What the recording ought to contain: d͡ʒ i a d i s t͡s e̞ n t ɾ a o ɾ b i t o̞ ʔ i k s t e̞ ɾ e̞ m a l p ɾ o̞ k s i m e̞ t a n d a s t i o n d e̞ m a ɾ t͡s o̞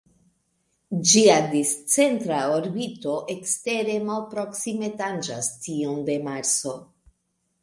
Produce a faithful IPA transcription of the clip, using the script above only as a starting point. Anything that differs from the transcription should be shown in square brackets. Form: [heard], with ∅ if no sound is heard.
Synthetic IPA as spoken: d͡ʒ i a d i s t͡s e̞ n t ɾ a o ɾ b i t o̞ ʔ [e] k s t e̞ ɾ e̞ m a l p ɾ o̞ k s i m e̞ t a n [d͡ʒ] a s t i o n d e̞ m a ɾ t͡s o̞